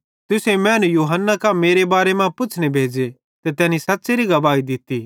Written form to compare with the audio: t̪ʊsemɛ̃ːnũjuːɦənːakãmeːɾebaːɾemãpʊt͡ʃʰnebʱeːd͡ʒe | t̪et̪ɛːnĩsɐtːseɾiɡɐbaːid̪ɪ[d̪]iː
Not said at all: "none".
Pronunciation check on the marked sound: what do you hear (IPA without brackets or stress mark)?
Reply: t̪